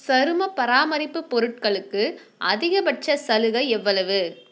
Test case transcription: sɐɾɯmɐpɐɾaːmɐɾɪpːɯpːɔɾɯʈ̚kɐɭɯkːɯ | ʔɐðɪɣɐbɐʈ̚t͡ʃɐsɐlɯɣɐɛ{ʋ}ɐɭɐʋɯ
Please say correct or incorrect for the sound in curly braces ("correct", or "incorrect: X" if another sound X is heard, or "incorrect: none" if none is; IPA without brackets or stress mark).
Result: incorrect: ʋː